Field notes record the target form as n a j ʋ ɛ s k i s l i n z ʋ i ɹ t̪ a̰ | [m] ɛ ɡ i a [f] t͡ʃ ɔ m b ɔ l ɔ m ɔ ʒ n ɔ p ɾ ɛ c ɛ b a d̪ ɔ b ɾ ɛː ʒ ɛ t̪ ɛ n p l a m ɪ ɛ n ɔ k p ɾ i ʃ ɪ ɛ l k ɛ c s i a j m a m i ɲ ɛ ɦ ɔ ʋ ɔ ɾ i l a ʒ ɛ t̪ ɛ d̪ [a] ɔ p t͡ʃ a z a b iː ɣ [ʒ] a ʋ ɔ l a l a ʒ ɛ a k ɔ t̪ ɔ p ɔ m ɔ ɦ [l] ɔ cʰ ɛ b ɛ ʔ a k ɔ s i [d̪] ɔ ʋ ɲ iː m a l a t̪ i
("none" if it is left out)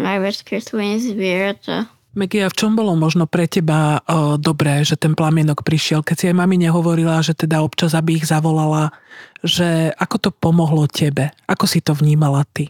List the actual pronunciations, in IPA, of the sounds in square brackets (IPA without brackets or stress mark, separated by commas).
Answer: m, f, a, z, l, t̪